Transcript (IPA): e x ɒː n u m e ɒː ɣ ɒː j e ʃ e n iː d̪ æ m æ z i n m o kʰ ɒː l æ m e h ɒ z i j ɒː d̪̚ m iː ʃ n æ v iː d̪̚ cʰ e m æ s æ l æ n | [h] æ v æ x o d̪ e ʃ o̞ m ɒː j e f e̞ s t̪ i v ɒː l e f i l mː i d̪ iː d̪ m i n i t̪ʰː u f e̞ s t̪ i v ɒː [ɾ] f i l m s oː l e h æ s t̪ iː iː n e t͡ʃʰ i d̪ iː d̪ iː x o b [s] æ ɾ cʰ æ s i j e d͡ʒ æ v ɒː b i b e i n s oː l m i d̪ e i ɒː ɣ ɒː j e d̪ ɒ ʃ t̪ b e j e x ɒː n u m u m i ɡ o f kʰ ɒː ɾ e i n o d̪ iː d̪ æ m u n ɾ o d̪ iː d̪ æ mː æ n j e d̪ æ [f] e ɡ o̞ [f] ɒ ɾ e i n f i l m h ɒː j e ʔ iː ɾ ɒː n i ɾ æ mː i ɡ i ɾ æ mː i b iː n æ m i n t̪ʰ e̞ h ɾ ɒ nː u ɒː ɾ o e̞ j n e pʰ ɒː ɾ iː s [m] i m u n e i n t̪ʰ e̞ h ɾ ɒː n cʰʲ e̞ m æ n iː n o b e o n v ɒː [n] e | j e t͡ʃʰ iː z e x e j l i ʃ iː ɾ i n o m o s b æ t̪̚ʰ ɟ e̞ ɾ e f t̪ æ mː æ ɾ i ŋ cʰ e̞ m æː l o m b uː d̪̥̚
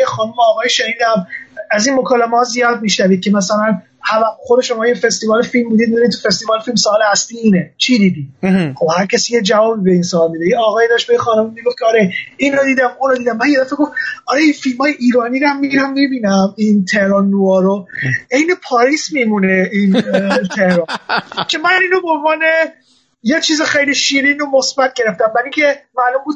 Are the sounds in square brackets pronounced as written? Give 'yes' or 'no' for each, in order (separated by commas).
yes, no, no, yes, yes, yes, yes